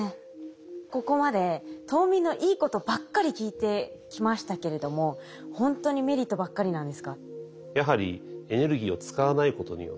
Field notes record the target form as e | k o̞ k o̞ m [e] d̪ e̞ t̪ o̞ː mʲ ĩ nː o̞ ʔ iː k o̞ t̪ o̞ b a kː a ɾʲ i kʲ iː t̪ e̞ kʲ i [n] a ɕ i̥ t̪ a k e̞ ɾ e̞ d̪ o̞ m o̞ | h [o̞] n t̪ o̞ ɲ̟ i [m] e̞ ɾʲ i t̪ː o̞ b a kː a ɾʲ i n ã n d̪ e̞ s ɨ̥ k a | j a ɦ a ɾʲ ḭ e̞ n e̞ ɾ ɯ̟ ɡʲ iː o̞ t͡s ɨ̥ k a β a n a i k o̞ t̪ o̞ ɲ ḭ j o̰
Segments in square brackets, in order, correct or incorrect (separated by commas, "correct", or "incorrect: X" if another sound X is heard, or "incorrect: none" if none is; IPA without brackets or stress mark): incorrect: a, incorrect: m, incorrect: õ̞, correct